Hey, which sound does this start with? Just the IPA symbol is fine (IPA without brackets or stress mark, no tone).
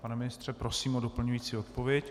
p